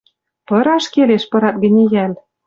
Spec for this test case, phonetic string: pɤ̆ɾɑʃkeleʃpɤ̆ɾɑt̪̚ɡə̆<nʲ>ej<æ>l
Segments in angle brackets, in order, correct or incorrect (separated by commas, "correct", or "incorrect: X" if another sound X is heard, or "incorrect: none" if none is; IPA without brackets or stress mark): correct, correct